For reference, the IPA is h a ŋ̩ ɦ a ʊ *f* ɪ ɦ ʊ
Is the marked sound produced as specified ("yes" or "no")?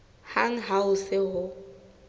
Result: no